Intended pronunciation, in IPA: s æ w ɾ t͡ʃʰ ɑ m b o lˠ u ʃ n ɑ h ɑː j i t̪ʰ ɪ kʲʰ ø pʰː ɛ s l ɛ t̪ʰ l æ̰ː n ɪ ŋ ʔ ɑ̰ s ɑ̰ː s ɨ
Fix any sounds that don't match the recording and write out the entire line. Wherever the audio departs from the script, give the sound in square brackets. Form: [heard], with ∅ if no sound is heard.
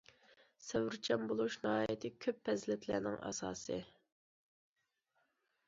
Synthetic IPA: s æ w ɾ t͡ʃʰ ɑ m b o lˠ u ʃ n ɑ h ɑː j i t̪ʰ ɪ kʲʰ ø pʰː ɛ [z] l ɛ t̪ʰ l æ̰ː n ɪ ŋ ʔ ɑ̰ s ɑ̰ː s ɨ